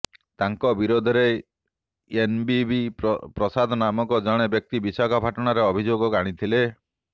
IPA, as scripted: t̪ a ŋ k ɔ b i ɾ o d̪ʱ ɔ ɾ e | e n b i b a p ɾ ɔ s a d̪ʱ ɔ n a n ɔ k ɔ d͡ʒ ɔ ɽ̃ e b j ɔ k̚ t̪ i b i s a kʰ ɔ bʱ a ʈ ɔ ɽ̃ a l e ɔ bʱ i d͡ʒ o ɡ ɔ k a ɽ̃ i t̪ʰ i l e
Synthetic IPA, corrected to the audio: t̪ a ŋ k ɔ b i ɾ o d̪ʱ ɔ ɾ e | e n b i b i p ɾ ɔ s a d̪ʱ ɔ n a m ɔ k ɔ d͡ʒ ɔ ɽ̃ e b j ɔ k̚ t̪ i b i s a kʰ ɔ bʱ a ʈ ɔ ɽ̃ a ɾ e ɔ bʱ i d͡ʒ o ɡ ɔ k a ɽ̃ i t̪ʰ i l e